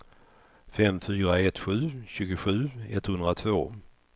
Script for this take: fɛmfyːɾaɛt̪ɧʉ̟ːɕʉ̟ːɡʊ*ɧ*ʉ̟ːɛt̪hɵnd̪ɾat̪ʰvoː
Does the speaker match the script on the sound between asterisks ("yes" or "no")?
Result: yes